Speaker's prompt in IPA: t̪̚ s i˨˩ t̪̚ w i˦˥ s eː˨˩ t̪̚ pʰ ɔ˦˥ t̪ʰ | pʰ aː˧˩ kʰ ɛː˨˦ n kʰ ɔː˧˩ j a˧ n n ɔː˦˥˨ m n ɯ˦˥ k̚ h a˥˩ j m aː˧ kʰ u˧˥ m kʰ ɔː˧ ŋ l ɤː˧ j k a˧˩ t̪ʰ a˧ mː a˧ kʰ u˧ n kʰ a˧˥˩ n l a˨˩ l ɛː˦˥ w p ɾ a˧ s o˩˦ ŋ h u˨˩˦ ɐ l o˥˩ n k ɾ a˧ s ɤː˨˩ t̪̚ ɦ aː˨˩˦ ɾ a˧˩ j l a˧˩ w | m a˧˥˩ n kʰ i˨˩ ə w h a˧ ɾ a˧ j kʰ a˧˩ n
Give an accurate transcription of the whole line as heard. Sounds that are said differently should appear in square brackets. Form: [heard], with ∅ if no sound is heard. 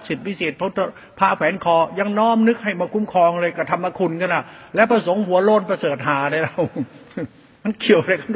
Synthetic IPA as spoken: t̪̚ s i˨˩ t̪̚ w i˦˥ s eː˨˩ t̪̚ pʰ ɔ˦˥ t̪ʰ | pʰ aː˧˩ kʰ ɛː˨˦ n kʰ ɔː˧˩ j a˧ [ŋ] n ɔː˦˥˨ m n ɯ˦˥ k̚ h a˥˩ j m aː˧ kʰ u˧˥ m kʰ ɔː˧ ŋ l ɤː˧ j k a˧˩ t̪ʰ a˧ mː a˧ kʰ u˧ n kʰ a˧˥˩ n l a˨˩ l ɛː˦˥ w p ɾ a˧ s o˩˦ ŋ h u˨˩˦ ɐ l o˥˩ n [p] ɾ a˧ s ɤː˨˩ t̪̚ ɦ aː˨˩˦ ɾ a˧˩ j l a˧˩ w | m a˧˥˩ n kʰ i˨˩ ə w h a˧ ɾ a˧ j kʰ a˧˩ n